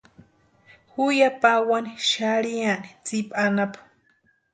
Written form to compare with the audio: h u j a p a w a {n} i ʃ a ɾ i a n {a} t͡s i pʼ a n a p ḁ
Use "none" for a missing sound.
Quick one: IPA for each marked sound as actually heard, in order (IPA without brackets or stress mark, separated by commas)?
n, i